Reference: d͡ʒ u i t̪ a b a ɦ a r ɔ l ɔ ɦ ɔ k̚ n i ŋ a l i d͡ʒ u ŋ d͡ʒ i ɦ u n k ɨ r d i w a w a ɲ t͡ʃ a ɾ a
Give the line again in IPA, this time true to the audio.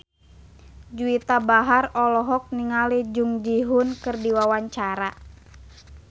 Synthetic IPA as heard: d͡ʒ u i t̪ a b a ɦ a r ɔ l ɔ ɦ ɔ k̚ n i ŋ a l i d͡ʒ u ŋ d͡ʒ i ɦ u n k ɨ r d i w a w a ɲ t͡ʃ a ɾ a